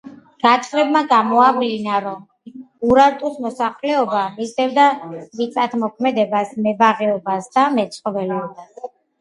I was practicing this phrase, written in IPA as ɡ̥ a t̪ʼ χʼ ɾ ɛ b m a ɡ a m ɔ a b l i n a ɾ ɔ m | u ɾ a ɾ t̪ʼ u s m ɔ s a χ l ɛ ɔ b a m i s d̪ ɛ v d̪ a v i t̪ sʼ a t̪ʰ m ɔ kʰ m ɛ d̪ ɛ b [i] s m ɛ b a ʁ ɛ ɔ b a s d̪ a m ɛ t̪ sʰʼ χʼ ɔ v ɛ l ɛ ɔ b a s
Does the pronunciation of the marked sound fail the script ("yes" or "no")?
yes